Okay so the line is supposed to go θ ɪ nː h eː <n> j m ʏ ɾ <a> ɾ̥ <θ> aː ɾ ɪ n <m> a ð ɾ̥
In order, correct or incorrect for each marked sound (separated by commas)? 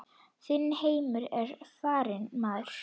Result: incorrect, incorrect, incorrect, correct